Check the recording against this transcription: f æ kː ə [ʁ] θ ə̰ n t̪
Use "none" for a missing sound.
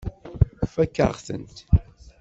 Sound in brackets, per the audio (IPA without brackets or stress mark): ʁ